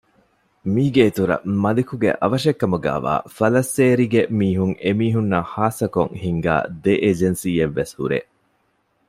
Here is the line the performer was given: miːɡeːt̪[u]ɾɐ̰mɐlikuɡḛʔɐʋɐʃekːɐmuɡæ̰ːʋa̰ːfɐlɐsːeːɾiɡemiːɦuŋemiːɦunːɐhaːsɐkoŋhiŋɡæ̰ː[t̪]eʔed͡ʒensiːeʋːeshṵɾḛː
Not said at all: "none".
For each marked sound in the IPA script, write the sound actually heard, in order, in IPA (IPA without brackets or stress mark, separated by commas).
u, d̪